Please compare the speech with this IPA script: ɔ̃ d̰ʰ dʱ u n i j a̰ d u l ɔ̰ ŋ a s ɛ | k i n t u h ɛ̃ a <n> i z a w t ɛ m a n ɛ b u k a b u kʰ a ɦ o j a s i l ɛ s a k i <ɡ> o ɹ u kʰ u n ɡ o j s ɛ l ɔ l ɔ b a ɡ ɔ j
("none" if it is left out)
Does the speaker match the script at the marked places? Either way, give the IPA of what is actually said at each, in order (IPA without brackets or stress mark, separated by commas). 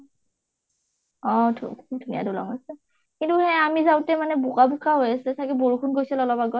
m, b